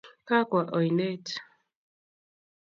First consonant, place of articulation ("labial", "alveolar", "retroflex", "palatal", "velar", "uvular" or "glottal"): velar